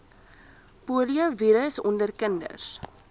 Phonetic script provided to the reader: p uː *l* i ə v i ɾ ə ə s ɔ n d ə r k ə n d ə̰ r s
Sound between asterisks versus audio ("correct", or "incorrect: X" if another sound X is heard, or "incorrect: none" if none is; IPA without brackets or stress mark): correct